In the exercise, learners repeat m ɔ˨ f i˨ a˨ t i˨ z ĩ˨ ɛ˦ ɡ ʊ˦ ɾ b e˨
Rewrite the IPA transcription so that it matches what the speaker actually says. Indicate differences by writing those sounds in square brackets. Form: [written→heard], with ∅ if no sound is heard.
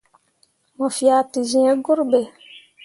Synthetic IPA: m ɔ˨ f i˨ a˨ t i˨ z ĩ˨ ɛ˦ ɡ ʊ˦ ɾ b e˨